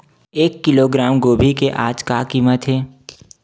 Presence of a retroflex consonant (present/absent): absent